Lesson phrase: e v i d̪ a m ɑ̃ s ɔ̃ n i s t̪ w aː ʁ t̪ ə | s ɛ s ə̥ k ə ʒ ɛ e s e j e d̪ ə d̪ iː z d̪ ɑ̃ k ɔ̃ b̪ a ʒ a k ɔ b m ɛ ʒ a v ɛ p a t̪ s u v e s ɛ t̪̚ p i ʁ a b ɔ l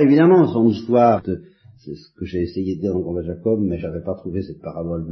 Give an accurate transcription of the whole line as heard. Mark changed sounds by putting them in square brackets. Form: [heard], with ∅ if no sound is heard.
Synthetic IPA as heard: e v i d̪ a m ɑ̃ s ɔ̃ n i s t̪ w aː ʁ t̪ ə | s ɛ s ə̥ k ə ʒ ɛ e s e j e d̪ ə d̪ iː [ʁ] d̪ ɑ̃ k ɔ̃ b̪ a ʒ a k ɔ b m ɛ ʒ a v ɛ p a t̪ [χ] u v e s ɛ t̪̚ p [a] ʁ a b ɔ l